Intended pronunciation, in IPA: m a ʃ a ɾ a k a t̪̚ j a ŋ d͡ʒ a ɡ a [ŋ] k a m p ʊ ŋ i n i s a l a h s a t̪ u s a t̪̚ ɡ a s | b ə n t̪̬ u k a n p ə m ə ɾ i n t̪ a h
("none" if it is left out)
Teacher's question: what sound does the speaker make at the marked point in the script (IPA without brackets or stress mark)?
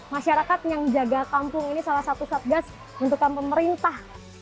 none